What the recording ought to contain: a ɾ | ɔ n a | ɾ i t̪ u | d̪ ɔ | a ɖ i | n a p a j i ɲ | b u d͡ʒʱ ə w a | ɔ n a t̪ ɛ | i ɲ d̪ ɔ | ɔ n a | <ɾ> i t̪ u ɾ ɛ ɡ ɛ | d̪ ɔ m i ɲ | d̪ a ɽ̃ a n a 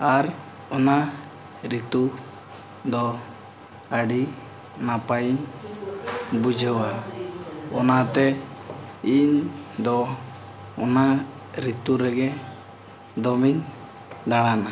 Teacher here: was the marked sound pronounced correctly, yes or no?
yes